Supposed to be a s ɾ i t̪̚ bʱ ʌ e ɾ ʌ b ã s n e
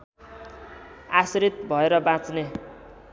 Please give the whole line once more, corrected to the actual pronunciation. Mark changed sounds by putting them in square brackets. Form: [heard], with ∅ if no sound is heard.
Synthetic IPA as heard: a s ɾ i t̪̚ bʱ ʌ e ɾ ʌ b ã [t͡s] n e